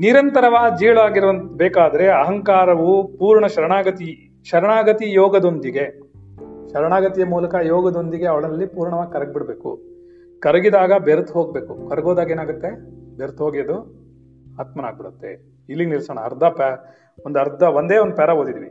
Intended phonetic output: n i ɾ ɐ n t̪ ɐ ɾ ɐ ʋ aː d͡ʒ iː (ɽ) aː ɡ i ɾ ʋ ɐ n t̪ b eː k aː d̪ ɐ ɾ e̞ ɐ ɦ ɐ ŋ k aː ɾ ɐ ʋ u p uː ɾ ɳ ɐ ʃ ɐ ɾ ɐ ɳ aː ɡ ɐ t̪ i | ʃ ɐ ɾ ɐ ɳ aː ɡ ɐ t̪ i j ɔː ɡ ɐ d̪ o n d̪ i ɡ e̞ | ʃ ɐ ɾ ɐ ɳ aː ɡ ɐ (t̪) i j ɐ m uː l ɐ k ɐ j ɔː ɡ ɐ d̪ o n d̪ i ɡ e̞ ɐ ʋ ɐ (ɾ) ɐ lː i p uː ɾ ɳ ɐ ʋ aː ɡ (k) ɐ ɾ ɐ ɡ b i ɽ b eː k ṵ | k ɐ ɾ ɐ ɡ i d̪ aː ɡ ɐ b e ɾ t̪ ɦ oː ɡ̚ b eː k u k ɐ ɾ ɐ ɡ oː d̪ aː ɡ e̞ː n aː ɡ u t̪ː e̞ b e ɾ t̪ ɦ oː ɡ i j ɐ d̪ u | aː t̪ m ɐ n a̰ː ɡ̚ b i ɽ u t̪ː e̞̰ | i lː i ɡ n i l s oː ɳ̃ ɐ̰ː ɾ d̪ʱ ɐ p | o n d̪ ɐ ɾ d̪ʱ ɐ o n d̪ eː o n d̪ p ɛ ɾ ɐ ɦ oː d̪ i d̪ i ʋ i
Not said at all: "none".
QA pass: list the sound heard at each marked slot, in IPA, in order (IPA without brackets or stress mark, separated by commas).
ɭ, t̪, ɭ, k